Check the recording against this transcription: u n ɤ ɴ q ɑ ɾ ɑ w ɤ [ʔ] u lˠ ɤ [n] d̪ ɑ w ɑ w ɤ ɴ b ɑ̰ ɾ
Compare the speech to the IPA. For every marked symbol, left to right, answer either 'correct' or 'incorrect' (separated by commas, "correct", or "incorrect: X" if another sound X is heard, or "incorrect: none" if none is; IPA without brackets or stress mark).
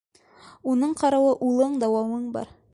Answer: correct, incorrect: ɴ